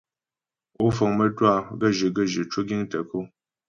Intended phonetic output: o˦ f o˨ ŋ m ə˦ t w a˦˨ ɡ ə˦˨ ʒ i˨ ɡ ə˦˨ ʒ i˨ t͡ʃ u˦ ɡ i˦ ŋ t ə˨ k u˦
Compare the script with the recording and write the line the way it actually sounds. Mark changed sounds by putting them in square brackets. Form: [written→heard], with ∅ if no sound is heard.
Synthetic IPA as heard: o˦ f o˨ ŋ m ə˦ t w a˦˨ ɡ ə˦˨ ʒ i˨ ɡ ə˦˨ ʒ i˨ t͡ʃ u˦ ɡ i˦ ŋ t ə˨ k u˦